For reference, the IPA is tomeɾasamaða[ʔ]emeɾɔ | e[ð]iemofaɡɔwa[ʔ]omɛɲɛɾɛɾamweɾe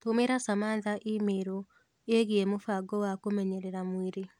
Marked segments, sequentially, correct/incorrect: correct, incorrect: ɣ, incorrect: k

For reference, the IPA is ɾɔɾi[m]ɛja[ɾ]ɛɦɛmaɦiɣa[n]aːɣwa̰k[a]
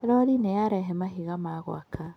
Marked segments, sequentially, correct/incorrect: incorrect: n, correct, incorrect: m, correct

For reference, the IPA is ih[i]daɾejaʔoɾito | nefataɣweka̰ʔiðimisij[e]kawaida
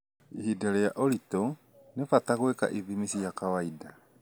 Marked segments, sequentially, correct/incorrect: correct, incorrect: a

